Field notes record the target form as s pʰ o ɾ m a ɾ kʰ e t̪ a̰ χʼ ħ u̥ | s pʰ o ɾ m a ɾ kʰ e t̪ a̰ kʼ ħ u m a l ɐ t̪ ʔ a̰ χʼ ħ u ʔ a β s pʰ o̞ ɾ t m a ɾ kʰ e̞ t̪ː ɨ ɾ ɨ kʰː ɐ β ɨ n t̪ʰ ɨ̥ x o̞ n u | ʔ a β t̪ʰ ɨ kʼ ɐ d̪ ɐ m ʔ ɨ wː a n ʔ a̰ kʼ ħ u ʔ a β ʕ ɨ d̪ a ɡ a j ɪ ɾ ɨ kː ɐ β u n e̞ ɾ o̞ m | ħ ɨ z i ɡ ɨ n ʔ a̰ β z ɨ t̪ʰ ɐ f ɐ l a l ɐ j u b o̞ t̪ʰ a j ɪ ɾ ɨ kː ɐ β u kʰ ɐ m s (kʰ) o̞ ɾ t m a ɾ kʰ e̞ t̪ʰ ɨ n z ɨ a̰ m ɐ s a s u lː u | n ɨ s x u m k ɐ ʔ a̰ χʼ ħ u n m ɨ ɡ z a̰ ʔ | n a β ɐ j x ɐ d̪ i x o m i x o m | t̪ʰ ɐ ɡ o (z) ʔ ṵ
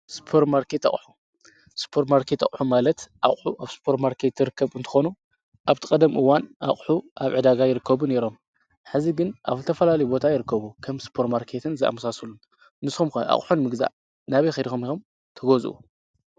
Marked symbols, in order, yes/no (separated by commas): no, yes